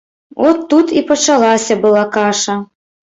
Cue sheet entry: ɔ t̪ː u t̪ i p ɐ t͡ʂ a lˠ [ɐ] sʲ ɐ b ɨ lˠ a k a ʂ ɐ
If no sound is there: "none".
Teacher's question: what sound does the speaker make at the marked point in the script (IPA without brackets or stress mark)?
a